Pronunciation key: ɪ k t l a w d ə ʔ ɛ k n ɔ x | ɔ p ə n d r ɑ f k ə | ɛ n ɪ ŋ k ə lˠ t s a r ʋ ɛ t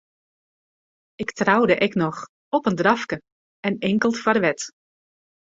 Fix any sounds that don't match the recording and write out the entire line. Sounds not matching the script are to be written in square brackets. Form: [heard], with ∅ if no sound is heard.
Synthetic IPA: ɪ k t [r] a w d ə ʔ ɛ k n ɔ x | ɔ p ə n d r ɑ f k ə | ɛ n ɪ ŋ k ə lˠ t [f] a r ʋ ɛ t

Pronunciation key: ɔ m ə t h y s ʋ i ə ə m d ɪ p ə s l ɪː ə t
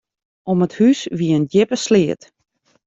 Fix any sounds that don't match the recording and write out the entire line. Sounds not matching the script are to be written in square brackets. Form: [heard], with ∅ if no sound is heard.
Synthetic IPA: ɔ m ə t h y s ʋ i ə ə [n] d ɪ p ə s l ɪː ə t

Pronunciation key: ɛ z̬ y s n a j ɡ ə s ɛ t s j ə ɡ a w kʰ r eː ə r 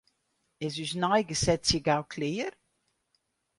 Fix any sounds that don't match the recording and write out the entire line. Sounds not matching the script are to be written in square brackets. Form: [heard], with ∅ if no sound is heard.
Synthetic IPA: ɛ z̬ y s n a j ɡ ə s ɛ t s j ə ɡ a w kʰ [l] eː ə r

